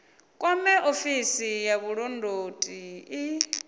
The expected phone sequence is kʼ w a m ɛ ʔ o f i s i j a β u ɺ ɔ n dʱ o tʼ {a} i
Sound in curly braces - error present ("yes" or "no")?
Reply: yes